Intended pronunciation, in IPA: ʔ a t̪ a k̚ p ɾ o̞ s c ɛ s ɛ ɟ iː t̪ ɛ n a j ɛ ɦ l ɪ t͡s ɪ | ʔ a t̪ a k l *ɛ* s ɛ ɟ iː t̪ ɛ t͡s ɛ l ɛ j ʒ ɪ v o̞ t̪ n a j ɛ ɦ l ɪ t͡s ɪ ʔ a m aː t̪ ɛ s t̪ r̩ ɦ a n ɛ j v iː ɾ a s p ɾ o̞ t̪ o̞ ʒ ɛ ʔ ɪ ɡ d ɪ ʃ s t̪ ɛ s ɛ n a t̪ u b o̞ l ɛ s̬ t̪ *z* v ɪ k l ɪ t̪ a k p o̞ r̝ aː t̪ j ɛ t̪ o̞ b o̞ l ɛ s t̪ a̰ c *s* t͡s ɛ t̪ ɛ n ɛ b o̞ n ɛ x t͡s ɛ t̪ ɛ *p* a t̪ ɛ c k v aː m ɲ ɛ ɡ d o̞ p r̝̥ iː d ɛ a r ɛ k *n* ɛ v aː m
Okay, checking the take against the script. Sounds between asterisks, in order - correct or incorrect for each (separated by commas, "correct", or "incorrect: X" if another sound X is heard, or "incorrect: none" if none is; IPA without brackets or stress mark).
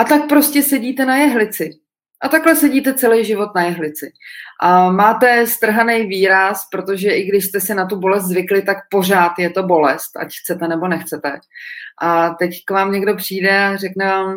correct, correct, incorrect: x, incorrect: ʔ, correct